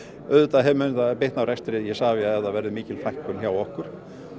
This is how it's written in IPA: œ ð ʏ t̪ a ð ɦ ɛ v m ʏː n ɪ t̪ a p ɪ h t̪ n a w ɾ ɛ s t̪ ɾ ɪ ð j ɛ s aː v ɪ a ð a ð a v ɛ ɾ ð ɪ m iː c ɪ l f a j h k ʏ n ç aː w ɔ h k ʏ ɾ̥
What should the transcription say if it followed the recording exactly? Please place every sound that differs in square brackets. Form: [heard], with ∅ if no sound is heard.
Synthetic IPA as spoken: œ ð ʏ t̪ a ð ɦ ɛ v m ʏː n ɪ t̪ a p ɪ h t̪ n a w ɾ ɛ s t̪ ɾ ɪ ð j ɛ s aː v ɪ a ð [ɛ] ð a v ɛ ɾ ð ɪ m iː c ɪ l f a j h k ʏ n ç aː w ɔ h k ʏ ɾ̥